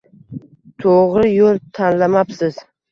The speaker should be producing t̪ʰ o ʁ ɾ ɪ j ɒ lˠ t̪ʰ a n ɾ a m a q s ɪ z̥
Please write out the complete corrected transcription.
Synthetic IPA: t̪ʰ o ʁ ɾ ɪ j o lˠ t̪ʰ a n l a m a p s ɪ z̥